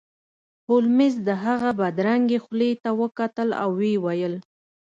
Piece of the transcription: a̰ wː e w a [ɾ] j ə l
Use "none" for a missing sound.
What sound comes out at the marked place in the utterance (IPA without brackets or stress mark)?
none